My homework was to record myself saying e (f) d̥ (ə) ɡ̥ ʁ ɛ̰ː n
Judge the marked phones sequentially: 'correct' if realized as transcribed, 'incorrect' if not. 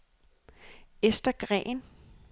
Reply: incorrect, incorrect

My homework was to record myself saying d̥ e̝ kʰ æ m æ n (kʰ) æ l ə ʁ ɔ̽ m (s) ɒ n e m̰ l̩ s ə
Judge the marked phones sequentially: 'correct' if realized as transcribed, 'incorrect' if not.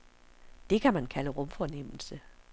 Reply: correct, incorrect

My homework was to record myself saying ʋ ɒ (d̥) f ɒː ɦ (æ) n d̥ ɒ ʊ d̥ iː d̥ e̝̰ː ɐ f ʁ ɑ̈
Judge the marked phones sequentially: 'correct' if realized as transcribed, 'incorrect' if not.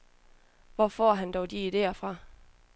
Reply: incorrect, correct

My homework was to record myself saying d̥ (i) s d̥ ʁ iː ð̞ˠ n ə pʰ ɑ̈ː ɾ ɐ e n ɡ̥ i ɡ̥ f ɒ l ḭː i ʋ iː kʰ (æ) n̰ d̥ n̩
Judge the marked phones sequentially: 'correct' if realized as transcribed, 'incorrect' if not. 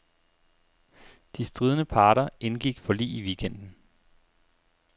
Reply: correct, incorrect

